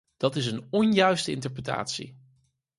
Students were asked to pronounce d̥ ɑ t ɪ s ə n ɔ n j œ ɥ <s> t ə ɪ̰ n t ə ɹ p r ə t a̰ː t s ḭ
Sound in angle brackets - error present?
no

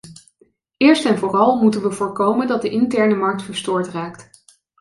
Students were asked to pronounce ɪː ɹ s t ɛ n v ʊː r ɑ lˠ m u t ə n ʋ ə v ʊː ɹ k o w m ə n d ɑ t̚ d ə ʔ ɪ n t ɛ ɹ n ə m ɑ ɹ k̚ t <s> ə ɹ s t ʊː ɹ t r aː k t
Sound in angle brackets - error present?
yes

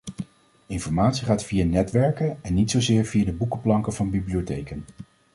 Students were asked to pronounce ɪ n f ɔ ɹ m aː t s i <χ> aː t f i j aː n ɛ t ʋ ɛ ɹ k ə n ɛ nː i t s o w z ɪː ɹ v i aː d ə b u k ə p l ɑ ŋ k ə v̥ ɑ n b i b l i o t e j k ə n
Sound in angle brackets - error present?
no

